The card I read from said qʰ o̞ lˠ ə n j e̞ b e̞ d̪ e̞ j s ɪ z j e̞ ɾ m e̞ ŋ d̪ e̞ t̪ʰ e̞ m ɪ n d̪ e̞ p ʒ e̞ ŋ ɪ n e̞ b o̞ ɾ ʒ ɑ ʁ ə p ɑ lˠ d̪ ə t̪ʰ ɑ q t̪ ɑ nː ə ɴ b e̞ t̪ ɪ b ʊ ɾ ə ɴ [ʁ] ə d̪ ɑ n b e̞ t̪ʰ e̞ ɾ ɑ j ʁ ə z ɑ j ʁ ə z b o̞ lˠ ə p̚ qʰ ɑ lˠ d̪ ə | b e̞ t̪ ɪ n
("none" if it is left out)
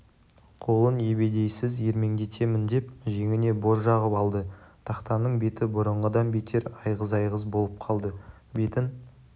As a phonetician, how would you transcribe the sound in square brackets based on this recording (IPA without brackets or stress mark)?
ʁ